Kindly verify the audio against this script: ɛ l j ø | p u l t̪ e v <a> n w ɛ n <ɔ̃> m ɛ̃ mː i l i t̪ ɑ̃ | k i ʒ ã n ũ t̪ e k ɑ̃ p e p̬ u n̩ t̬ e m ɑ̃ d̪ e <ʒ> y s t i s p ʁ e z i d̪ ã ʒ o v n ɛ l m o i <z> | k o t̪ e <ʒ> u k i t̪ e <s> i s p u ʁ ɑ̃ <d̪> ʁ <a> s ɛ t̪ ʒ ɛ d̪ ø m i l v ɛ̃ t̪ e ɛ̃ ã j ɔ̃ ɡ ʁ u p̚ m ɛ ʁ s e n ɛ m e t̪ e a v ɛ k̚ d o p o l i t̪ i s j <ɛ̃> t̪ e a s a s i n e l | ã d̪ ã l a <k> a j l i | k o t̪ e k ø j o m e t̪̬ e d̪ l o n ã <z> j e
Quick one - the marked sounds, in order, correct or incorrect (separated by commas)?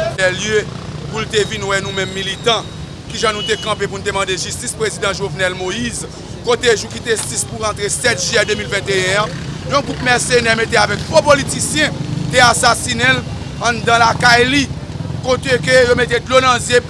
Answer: incorrect, incorrect, correct, correct, correct, correct, incorrect, incorrect, correct, correct, correct